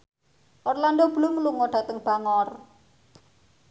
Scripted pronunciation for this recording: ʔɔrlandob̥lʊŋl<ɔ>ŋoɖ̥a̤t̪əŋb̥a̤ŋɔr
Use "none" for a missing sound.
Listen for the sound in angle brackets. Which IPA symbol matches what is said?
u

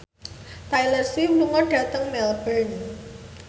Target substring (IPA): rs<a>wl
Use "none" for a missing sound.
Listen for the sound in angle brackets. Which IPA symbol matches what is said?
i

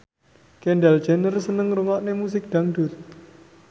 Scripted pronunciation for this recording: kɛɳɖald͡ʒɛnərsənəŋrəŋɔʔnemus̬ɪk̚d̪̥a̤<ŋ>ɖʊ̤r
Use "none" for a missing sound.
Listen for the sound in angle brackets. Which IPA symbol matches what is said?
ŋ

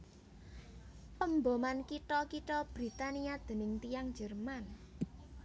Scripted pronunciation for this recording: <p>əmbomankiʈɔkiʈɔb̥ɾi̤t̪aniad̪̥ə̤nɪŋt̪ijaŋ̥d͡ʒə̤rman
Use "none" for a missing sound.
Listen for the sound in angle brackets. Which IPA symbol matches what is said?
p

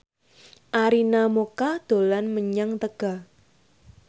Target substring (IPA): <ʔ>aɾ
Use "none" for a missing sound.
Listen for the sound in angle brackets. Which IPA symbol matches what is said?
ʔ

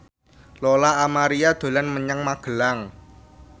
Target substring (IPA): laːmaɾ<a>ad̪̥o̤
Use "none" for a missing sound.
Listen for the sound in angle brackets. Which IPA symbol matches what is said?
i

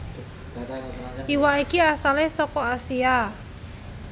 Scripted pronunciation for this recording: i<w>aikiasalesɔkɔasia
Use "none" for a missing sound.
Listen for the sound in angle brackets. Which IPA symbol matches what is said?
w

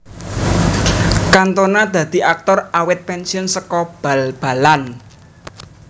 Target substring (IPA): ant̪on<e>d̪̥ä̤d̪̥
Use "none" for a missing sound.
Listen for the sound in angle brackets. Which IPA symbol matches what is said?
a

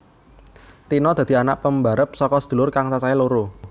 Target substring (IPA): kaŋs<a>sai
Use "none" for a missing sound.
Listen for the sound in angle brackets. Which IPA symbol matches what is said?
a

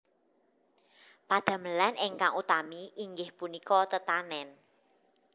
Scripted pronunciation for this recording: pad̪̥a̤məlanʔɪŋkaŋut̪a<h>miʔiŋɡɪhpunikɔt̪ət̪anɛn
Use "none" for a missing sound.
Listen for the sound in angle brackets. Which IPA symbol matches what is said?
none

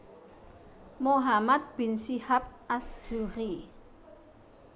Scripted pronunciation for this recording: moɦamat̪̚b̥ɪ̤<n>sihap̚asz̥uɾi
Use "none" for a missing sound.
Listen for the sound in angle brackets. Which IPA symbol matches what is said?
n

